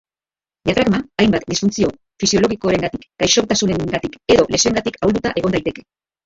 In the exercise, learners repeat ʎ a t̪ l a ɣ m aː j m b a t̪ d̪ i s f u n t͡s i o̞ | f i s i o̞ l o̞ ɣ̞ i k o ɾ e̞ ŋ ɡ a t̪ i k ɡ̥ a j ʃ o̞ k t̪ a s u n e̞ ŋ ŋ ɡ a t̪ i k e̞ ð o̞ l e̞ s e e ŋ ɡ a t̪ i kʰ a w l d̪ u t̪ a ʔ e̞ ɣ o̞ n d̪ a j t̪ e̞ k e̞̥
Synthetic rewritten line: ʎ a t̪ ɾ a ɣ m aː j m b a t̪ d̪ i s f u n t͡s i o̞ | f i s i o̞ l o̞ ɣ̞ i k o ɾ e̞ ŋ ɡ a t̪ i k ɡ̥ a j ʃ o̞ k t̪ a s u n e̞ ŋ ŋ ɡ a t̪ i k e̞ ð o̞ l e̞ s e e ŋ ɡ a t̪ i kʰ a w l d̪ u t̪ a ʔ e̞ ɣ o̞ n d̪ a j t̪ e̞ k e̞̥